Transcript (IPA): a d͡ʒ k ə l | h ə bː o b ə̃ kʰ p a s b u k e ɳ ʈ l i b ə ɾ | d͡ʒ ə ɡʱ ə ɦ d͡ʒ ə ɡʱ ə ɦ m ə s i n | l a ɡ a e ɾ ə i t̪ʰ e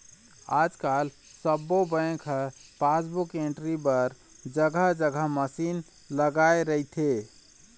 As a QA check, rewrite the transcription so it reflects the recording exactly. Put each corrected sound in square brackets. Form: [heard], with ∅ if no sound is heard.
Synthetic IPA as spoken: a d͡ʒ k [a] l | [s] ə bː o b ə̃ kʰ p a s b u k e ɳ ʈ [ɾ] i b ə ɾ | d͡ʒ ə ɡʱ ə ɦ d͡ʒ ə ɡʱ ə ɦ m ə s i n | l [ə] ɡ a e ɾ ə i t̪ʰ e

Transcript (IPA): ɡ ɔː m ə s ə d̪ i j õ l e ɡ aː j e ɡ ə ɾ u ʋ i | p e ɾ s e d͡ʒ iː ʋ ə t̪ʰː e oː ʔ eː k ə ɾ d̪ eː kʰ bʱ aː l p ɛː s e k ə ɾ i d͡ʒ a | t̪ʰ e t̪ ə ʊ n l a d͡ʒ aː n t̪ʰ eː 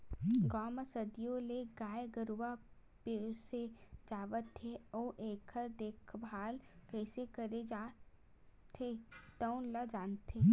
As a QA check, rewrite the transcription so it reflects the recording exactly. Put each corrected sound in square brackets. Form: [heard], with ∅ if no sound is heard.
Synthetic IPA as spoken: ɡ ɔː m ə s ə d̪ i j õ l e ɡ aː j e ɡ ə ɾ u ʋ [a] | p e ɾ s e d͡ʒ [aː] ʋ ə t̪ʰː e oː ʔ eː [kʰ] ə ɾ d̪ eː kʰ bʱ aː l [k] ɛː s e k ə ɾ [e] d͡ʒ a | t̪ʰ e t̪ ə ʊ n l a d͡ʒ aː n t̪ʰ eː

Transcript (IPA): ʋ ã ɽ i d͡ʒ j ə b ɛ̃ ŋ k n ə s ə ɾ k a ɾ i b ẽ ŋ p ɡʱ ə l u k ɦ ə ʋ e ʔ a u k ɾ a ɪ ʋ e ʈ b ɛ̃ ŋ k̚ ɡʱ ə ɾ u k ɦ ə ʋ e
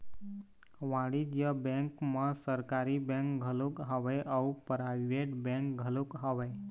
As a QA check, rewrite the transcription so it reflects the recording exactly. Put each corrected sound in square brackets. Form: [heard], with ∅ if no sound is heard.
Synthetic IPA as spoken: ʋ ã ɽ i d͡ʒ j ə b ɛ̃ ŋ k [m] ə s ə ɾ k a ɾ i b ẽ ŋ [k] ɡʱ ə l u k ɦ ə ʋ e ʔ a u [p] ɾ a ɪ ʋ e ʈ b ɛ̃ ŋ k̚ ɡʱ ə [l] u k ɦ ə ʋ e

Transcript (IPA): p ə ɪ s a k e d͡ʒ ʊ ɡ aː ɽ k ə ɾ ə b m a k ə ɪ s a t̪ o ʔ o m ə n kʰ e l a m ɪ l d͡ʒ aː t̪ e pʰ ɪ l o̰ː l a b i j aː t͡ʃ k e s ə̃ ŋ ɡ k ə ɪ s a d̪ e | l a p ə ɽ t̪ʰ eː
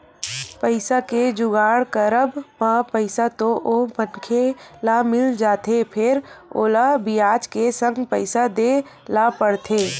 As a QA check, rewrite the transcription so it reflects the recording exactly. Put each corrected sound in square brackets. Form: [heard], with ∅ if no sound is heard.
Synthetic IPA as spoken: p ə ɪ s a k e d͡ʒ ʊ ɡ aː ɽ k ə ɾ ə b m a [p] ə ɪ s a t̪ o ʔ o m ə n kʰ e l a m ɪ l d͡ʒ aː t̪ e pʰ ɪ [ɾ] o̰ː l a b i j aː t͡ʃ k e s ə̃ ŋ ɡ [p] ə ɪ s a d̪ e | l a p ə ɽ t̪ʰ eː

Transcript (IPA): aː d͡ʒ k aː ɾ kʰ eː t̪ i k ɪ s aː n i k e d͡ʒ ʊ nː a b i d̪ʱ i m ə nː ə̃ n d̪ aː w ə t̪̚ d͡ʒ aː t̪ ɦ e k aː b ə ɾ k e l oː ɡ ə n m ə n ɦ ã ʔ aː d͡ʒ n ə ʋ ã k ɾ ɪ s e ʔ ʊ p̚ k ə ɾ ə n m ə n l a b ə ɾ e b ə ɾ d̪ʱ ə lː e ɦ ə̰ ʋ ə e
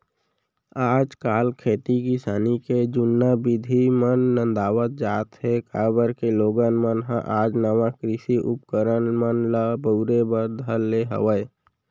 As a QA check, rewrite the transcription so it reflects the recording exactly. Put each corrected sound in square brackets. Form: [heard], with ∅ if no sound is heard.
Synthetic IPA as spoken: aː d͡ʒ k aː [l] kʰ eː t̪ i k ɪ s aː n i k e d͡ʒ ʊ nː a b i d̪ʱ i m ə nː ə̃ n d̪ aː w ə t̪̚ d͡ʒ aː t̪ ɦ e k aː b ə ɾ k e l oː ɡ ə n m ə n ɦ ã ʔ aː d͡ʒ n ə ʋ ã k ɾ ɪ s [i] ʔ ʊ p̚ k ə ɾ ə n m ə n l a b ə ɾ e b ə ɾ d̪ʱ ə lː e ɦ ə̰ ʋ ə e

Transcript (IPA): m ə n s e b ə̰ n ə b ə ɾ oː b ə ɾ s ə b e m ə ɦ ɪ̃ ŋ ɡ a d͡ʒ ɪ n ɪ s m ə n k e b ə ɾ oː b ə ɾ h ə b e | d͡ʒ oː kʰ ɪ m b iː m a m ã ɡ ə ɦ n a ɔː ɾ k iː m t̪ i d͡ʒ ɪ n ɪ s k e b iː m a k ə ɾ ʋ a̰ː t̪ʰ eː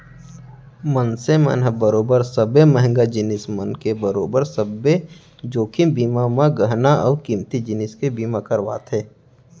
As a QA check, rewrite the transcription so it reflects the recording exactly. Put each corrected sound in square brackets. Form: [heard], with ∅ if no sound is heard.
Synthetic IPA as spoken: m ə n s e [m] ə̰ n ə b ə ɾ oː b ə ɾ s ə b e m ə ɦ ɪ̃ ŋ ɡ a d͡ʒ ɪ n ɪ s m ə n k e b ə ɾ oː b ə ɾ [s] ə b e | d͡ʒ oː kʰ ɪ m b iː m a m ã ɡ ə ɦ n a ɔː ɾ k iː m t̪ i d͡ʒ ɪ n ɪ s k e b iː m a k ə ɾ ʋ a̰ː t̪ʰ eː

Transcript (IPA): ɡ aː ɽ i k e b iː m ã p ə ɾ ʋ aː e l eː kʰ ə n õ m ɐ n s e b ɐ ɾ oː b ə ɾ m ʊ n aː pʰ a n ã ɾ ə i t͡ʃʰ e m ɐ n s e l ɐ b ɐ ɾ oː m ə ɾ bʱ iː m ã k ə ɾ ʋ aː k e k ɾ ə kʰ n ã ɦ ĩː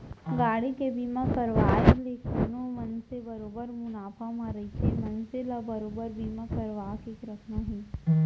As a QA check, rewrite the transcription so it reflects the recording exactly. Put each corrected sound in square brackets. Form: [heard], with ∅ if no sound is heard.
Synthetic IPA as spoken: ɡ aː ɽ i k e b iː m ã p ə ɾ ʋ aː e l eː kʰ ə n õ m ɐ n s e b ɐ ɾ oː b ə ɾ m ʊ n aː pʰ a [m] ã ɾ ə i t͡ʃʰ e m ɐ n s e l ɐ b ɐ ɾ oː [b] ə ɾ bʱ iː m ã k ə ɾ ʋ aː k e k ɾ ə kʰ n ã ɦ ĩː

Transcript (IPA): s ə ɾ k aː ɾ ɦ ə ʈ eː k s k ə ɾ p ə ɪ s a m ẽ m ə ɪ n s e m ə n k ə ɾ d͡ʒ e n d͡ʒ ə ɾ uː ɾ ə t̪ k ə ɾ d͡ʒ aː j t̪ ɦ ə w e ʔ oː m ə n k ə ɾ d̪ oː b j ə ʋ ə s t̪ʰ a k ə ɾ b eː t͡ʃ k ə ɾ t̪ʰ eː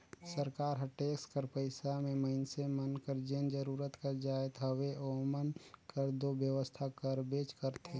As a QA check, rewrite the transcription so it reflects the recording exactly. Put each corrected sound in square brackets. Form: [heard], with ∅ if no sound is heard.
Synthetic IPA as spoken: s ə ɾ k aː ɾ ɦ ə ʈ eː k s k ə ɾ p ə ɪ s a m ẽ m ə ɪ n s e m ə n k ə ɾ d͡ʒ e n d͡ʒ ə ɾ uː ɾ ə t̪ k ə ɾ d͡ʒ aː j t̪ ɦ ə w e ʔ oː m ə n k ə ɾ d̪ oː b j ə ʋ ə s t̪ʰ a k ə ɾ b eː t͡ʃ k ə ɾ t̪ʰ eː

